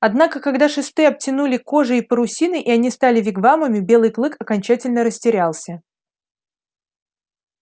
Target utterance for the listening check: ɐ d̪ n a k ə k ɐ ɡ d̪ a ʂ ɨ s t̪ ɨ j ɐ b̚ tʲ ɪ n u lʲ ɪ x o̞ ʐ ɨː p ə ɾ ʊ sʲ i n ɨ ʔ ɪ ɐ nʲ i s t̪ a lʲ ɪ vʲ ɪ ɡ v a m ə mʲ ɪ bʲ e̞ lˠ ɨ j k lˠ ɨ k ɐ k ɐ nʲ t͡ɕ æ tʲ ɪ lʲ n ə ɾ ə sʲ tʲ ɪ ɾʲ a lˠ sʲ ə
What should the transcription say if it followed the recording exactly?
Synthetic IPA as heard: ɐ d̪ n a k ə k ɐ ɡ d̪ a ʂ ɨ s t̪ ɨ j ɐ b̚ tʲ ɪ n u lʲ ɪ k o̞ ʐ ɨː p ə ɾ ʊ sʲ i n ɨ ʔ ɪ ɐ nʲ i s t̪ a lʲ ɪ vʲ ɪ ɡ v a m ə mʲ ɪ bʲ e̞ lˠ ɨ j k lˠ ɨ k ɐ k ɐ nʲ t͡ɕ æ tʲ ɪ lʲ n ə ɾ ə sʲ tʲ ɪ ɾʲ a lˠ sʲ ə